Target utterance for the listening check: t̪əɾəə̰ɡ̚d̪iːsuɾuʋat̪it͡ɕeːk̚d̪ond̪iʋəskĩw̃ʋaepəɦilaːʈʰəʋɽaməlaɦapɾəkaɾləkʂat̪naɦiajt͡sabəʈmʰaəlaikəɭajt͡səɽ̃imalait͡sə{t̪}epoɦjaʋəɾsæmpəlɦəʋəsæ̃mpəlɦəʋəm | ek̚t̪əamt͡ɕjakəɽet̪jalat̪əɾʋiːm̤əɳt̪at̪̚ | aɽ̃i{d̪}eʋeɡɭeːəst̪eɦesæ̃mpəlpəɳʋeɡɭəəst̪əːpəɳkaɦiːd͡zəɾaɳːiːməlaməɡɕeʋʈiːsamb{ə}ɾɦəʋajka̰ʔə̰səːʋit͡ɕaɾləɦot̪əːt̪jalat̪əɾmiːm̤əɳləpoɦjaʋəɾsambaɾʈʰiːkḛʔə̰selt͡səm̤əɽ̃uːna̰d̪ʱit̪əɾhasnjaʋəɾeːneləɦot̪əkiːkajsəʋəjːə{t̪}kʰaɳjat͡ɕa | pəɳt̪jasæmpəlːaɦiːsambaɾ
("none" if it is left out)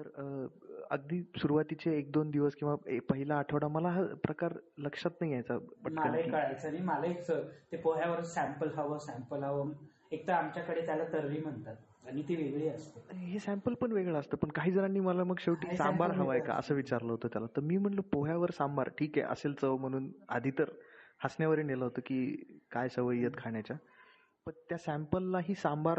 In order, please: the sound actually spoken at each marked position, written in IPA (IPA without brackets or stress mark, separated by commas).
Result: t̪, t̪, a, t̪